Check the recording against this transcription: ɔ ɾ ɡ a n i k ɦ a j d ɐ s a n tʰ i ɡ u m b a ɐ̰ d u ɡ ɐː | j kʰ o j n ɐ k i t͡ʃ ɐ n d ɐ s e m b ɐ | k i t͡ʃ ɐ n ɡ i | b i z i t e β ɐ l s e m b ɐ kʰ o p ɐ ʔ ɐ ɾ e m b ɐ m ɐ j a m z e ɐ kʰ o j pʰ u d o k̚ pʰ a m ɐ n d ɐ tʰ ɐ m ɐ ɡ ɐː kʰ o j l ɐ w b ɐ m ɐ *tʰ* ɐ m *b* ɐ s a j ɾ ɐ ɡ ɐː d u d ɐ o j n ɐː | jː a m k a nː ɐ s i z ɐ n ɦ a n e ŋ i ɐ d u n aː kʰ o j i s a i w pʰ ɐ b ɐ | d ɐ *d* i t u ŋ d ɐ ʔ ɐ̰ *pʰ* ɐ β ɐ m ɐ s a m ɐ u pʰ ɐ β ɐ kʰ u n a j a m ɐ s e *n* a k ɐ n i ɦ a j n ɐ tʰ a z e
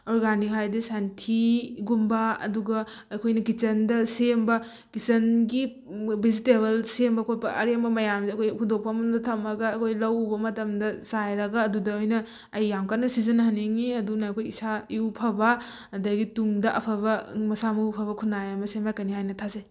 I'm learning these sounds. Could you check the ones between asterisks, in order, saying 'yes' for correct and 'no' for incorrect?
no, no, no, yes, no

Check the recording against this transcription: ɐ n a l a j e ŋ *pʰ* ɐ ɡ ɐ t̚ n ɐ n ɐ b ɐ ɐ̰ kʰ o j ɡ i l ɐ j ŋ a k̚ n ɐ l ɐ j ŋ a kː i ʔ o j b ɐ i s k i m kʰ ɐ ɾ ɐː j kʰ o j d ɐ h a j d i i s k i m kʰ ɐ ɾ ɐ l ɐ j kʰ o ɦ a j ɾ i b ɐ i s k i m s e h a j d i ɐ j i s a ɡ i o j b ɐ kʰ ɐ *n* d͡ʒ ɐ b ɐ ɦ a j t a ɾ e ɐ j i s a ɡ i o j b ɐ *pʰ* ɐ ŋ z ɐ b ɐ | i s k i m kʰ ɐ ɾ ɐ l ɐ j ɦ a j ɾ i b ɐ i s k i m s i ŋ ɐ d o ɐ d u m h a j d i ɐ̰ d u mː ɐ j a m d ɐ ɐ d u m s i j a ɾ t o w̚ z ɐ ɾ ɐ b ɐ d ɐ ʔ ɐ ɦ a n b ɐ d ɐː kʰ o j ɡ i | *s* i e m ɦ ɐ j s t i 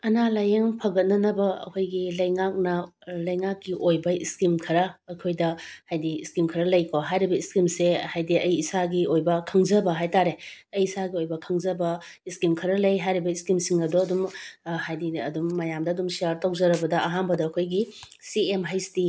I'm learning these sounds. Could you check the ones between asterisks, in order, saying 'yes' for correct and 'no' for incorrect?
yes, no, no, yes

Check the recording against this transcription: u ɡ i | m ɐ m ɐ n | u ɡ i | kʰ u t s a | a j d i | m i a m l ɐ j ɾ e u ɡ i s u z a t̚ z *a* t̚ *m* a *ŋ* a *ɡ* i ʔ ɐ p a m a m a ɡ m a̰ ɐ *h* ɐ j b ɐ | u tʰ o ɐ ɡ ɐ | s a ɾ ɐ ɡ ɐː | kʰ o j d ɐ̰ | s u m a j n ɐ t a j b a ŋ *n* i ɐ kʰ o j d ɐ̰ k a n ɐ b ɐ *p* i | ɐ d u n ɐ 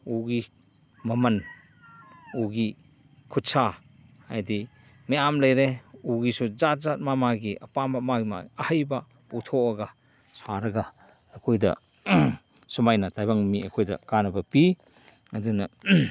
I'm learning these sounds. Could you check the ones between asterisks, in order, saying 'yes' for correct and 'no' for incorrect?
yes, yes, no, yes, yes, no, yes

